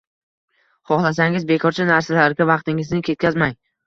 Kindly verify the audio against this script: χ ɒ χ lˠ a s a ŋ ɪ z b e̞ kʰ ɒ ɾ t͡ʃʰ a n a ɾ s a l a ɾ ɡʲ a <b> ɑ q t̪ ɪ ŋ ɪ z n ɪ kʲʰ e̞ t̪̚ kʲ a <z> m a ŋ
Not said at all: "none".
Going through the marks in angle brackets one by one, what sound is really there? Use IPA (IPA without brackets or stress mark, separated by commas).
v, z